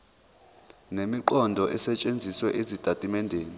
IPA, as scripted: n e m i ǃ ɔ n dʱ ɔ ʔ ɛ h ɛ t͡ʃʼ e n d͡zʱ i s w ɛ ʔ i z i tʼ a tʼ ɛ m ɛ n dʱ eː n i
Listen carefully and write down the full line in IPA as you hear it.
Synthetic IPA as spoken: n e m i ǃ ɔ n dʱ ɔ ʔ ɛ s ɛ t͡ʃʼ e n d͡zʱ i s w ɛ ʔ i z i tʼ a tʼ i m ɛ n dʱ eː n i